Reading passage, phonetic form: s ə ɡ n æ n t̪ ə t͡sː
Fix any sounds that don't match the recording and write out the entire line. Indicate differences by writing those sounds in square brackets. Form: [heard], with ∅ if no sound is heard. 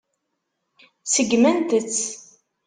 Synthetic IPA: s ə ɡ [m] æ n t̪ ə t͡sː